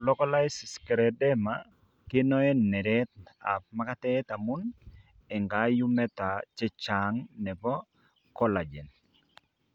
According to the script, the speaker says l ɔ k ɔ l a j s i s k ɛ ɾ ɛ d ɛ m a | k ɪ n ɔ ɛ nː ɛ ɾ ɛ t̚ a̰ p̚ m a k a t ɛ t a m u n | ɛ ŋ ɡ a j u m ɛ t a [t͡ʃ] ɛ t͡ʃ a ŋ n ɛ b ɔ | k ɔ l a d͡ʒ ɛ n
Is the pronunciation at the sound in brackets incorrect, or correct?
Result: correct